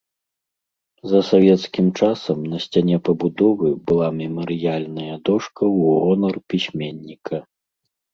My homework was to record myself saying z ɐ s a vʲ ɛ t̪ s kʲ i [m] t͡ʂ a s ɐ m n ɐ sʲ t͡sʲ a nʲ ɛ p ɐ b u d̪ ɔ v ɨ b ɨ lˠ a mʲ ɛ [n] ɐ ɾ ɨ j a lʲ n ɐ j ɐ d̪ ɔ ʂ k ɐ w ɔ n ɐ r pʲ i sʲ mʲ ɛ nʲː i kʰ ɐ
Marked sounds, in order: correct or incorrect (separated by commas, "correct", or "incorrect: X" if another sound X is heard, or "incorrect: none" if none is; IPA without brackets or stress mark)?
correct, incorrect: m